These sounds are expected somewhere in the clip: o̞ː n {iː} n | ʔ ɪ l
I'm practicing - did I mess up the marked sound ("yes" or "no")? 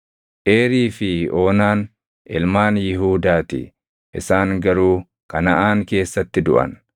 yes